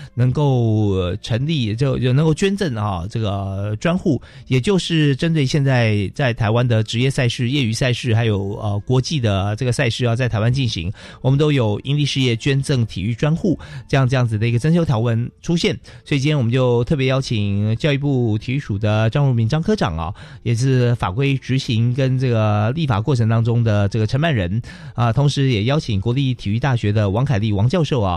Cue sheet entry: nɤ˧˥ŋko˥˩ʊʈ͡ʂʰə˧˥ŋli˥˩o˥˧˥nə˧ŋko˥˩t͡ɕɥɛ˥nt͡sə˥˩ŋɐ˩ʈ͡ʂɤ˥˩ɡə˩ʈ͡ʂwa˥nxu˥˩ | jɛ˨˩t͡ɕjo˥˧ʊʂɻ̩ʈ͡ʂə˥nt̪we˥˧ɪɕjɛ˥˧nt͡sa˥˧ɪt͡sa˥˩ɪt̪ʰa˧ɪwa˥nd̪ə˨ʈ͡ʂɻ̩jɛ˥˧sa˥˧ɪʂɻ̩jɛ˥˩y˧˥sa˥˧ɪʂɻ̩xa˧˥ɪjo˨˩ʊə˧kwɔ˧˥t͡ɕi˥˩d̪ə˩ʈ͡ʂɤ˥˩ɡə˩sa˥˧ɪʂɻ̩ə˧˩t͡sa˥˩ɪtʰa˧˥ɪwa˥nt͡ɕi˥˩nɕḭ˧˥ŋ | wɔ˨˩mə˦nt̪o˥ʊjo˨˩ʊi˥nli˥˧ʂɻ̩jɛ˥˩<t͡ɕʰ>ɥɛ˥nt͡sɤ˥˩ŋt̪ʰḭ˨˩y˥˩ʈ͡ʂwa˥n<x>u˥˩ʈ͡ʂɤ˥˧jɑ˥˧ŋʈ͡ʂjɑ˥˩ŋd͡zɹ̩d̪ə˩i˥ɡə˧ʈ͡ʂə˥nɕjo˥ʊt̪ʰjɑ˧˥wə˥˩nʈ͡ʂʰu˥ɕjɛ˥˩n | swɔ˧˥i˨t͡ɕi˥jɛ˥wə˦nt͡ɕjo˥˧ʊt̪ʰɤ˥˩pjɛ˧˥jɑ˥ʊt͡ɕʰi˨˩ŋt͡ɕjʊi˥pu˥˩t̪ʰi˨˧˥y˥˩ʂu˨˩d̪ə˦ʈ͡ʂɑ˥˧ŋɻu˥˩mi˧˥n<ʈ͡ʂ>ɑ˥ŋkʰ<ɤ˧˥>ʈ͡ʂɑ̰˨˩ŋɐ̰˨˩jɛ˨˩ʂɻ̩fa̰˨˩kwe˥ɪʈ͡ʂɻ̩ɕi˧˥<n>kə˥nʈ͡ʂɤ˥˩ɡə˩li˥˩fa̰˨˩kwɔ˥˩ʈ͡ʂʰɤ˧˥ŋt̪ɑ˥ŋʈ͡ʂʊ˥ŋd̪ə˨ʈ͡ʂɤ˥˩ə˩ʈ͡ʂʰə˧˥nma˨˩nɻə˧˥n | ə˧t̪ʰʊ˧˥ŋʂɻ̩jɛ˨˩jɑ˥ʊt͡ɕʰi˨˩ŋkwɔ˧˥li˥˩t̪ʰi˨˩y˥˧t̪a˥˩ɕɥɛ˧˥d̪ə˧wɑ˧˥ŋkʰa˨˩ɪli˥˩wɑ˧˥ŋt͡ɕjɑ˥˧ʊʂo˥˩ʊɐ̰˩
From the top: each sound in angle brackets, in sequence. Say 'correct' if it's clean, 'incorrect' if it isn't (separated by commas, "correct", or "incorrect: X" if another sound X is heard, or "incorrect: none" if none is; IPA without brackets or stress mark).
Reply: incorrect: t͡ɕ, correct, correct, incorrect: ɤ˥, incorrect: ŋ